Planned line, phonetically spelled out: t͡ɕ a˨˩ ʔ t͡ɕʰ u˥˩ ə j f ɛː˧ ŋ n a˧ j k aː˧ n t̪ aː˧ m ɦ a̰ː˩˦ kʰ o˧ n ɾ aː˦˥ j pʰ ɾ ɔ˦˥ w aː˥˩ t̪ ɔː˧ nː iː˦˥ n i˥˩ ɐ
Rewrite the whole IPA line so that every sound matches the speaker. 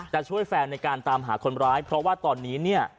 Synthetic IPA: t͡ɕ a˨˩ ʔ t͡ɕʰ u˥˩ ə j f ɛː˧ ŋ n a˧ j k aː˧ n t̪ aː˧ m ɦ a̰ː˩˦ kʰ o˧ n ɾ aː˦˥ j pʰ ɾ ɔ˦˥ w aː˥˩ t̪ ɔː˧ nː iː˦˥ n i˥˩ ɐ